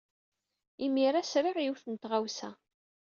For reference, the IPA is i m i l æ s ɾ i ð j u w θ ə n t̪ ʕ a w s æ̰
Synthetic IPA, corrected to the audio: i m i ɾ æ s ɾ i ʁ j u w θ ə n t̪ ʁ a w s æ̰